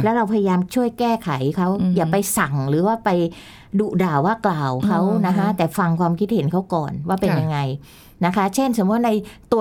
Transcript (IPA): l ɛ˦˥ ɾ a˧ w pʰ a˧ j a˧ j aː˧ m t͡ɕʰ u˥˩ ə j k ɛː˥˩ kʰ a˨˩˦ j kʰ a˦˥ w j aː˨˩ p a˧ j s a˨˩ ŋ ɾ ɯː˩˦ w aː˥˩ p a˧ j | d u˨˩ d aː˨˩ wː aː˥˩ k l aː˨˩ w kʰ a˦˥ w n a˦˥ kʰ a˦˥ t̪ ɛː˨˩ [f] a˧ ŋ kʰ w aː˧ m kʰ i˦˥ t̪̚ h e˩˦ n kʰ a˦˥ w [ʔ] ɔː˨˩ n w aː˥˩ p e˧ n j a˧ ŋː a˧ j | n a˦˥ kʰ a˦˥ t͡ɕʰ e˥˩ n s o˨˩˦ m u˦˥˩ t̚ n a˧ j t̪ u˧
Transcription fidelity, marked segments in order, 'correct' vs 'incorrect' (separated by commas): correct, incorrect